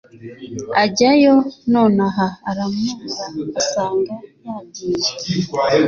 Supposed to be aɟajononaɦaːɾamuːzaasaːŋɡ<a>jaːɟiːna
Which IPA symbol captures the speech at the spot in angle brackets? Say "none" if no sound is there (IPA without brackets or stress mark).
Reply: a